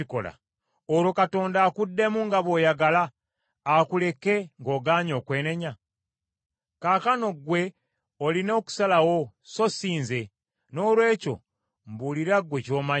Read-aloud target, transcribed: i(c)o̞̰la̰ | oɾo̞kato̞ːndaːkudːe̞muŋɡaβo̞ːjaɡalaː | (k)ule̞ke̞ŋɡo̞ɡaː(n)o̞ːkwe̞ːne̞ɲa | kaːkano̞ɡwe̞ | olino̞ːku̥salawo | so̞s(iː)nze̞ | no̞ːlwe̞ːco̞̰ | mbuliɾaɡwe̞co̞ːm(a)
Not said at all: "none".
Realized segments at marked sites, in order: k, k, ɲ, iː, a

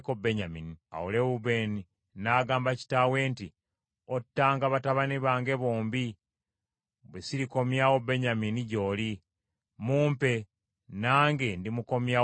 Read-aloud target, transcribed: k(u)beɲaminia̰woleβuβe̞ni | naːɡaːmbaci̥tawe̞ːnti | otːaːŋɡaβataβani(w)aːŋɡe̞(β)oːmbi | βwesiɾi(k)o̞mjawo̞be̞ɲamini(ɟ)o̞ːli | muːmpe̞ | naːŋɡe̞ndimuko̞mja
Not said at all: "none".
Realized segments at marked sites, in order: o, β, β, k, ɟ

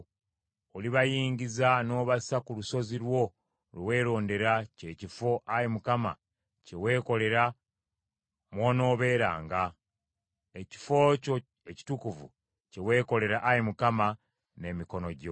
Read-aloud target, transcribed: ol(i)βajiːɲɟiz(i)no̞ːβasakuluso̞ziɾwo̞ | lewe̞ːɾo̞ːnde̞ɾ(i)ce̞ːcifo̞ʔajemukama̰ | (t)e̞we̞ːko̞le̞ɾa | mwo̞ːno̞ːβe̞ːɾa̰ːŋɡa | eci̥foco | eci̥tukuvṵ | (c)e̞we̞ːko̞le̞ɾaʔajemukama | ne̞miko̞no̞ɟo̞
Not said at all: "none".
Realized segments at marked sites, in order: i, a, a, c, c

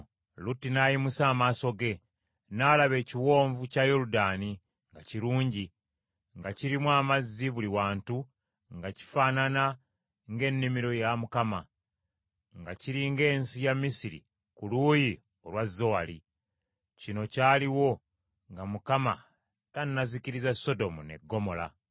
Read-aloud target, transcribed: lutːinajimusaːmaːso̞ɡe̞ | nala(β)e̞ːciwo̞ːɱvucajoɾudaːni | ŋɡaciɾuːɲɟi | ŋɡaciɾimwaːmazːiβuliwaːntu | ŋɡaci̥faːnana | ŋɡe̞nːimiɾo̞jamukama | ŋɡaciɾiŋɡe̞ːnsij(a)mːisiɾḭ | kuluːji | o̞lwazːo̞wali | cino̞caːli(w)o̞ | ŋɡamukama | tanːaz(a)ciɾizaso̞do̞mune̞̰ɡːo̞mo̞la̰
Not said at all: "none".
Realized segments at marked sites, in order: β, a, w, i

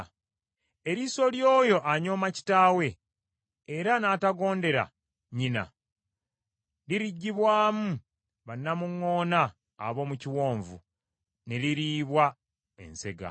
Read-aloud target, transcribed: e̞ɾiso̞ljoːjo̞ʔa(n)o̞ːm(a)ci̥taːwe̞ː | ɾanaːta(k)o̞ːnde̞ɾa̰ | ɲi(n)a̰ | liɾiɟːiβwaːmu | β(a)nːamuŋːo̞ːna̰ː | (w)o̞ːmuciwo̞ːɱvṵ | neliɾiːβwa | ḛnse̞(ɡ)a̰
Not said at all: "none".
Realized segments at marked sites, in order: ɲ, a, ɡ, n, a, β, ɡ

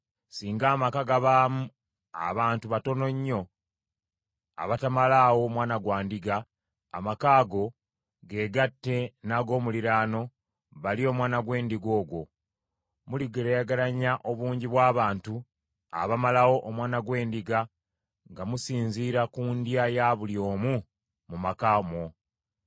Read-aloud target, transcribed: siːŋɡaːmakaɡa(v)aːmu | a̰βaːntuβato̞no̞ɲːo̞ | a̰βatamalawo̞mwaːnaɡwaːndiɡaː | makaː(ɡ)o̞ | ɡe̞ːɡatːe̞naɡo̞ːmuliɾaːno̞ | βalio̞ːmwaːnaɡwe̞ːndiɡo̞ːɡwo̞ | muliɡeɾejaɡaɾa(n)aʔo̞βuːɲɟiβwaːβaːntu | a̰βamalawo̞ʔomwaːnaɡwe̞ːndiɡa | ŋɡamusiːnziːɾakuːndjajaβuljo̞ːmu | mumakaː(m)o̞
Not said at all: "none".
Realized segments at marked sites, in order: β, ɡ, ɲ, m

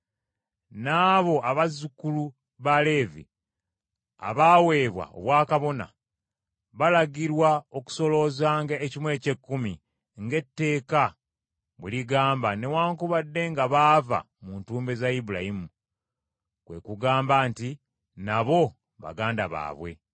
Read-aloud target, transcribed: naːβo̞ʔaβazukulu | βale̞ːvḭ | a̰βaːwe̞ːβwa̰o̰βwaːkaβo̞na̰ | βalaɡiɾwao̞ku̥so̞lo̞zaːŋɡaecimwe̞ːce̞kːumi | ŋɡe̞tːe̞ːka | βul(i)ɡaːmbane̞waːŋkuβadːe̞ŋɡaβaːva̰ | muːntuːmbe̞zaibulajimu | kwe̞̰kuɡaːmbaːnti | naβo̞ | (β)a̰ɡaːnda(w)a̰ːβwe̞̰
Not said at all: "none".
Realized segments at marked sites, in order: i, β, β

